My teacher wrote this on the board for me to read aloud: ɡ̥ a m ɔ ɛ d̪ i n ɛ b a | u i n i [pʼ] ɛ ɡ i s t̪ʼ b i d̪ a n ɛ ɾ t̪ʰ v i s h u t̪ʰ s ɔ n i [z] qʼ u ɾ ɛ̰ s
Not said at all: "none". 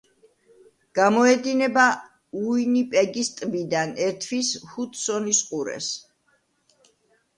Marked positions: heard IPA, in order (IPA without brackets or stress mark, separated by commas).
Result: pʼ, s